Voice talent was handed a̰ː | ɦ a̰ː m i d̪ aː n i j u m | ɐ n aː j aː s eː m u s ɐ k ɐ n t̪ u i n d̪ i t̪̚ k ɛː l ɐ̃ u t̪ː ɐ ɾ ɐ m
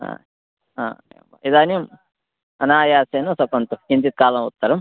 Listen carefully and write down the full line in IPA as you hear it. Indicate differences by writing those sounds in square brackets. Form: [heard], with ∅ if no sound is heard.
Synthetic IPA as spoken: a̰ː | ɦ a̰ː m i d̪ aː n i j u m | ɐ n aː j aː s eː [n] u s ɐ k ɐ n t̪ u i n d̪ i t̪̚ k [aː] l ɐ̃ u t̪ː ɐ ɾ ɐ m

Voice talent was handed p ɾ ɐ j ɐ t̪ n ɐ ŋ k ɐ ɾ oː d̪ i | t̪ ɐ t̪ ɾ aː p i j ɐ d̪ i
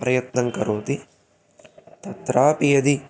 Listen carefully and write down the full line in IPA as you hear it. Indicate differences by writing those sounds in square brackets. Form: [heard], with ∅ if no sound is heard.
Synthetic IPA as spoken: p ɾ ɐ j ɐ t̪ n ɐ ŋ k ɐ ɾ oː [t̪] i | t̪ ɐ t̪ ɾ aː p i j ɐ d̪ i

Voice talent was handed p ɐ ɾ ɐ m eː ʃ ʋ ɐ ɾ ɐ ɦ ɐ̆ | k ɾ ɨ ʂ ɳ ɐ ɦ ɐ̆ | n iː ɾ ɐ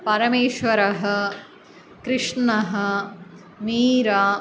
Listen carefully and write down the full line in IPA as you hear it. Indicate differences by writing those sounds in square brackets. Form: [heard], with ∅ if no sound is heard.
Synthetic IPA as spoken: p ɐ ɾ ɐ m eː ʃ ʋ ɐ ɾ ɐ ɦ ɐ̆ | k ɾ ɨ ʂ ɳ ɐ ɦ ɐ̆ | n iː ɾ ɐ

